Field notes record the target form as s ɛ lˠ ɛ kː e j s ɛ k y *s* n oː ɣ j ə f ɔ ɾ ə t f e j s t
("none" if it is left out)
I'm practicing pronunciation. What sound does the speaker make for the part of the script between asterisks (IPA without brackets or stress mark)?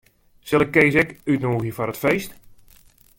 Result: t